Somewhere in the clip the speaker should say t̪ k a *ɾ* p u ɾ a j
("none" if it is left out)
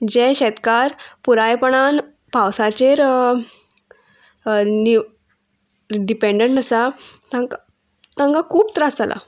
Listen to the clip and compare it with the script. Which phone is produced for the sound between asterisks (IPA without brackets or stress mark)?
ɾ